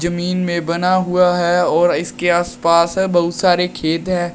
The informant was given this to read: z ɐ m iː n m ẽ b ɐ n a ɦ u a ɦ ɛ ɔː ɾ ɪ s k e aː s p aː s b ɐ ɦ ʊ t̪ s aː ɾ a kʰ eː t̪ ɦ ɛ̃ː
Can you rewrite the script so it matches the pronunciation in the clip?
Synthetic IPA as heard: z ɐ m iː n m ẽ b ɐ n a ɦ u a ɦ ɛ ɔː ɾ ɪ s k e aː s p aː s b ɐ ɦ ʊ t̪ s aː ɾ e kʰ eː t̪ ɦ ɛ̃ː